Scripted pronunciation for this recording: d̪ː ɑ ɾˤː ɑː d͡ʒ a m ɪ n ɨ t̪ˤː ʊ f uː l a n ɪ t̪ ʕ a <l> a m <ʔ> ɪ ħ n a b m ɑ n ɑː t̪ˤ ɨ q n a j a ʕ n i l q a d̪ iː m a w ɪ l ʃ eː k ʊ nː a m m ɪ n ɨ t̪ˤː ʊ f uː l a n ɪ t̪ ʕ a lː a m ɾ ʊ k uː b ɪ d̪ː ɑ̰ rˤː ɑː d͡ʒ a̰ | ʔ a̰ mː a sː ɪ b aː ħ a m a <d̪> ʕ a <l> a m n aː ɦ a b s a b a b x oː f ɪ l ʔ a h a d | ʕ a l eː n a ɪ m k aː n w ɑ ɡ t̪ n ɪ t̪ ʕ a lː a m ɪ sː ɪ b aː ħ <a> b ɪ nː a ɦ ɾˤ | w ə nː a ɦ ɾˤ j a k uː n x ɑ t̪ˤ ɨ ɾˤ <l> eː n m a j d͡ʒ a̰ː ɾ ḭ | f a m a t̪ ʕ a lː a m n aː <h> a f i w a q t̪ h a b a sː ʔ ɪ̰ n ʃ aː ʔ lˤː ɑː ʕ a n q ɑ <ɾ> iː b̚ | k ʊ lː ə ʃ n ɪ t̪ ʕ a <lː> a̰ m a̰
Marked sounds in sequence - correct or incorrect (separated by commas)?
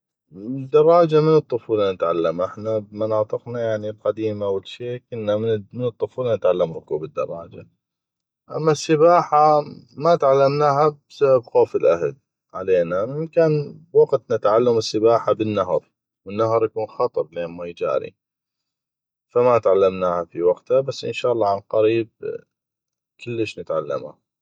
incorrect, correct, incorrect, incorrect, correct, correct, correct, correct, correct